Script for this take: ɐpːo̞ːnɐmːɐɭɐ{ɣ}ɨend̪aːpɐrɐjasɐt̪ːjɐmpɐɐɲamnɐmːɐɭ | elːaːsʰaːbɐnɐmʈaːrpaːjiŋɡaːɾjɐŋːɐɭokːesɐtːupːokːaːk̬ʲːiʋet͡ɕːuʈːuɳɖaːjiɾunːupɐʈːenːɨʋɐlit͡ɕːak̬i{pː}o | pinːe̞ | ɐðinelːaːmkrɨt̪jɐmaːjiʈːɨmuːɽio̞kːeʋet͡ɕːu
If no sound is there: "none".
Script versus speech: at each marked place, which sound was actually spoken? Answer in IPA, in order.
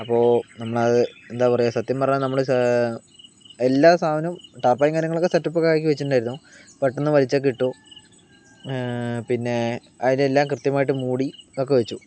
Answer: ð, ʈː

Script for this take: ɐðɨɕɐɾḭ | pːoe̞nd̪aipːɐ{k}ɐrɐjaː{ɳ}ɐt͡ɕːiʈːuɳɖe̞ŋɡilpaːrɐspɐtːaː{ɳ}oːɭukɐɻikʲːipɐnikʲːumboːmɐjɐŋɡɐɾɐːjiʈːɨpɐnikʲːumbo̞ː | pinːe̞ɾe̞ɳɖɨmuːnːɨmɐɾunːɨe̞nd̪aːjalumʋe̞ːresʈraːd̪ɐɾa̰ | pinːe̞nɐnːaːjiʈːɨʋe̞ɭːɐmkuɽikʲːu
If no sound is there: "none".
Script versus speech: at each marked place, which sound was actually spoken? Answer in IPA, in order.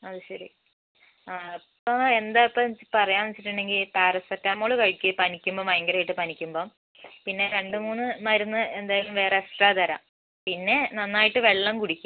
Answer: p, n, m

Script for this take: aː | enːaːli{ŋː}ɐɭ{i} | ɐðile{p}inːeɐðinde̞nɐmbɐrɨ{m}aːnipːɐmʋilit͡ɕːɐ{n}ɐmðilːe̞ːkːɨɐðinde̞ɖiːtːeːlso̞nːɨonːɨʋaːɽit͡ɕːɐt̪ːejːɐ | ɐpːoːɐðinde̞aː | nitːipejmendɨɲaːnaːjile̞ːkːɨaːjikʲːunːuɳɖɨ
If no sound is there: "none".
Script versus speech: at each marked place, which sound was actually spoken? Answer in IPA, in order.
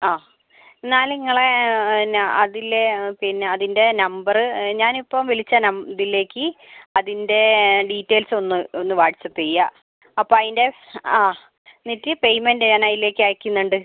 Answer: ŋː, e, p, ɲ, n

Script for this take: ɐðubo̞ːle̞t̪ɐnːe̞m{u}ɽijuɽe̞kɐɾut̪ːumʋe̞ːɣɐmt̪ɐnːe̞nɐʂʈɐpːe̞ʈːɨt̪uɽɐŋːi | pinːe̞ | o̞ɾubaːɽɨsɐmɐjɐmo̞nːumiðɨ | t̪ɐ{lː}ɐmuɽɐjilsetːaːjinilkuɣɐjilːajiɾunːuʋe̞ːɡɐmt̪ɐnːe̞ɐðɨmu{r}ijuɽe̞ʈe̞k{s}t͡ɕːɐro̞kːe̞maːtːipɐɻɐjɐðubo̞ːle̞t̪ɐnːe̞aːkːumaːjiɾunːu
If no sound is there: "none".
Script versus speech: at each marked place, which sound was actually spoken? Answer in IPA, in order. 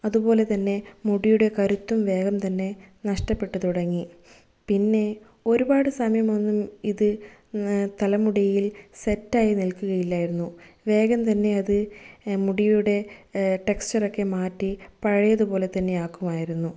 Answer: u, l, ɽ, s

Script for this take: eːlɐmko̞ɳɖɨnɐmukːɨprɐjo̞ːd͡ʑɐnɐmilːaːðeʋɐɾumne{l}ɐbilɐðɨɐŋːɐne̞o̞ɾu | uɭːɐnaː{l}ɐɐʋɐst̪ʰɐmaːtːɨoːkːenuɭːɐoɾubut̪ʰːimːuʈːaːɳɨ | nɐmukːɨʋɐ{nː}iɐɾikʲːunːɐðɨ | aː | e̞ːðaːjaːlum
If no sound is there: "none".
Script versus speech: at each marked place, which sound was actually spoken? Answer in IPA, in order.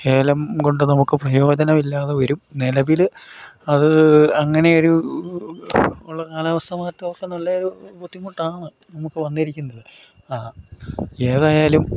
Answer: l, l, nː

